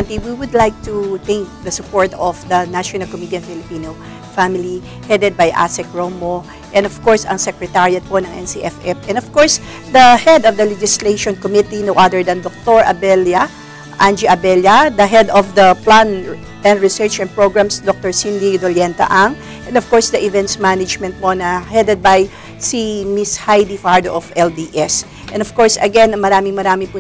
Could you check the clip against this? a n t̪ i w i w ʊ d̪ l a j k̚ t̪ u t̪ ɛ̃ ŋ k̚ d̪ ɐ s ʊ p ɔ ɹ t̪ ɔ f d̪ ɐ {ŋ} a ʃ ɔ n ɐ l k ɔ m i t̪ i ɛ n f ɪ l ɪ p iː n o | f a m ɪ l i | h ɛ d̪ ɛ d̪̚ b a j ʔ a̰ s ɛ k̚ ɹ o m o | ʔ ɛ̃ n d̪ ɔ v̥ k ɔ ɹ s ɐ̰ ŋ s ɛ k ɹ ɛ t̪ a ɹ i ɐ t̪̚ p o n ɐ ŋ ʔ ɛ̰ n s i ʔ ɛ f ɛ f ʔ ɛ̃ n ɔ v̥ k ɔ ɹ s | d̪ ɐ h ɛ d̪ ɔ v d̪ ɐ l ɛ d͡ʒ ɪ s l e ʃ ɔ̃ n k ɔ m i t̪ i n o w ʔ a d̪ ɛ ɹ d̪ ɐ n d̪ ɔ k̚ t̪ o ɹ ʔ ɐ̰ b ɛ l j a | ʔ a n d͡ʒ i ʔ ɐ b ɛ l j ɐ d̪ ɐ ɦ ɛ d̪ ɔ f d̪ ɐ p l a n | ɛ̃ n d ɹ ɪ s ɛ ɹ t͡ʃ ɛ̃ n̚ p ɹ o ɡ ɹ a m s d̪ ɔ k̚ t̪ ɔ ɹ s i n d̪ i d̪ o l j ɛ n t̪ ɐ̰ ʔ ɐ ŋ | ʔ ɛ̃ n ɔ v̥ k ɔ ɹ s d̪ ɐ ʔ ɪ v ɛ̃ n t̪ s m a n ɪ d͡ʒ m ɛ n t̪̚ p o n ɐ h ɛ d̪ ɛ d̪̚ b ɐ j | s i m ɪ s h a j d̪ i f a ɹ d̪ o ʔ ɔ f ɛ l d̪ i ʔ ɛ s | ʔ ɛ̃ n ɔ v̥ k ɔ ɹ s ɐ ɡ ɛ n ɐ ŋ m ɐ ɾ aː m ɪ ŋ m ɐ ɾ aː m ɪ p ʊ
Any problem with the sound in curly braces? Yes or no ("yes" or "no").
yes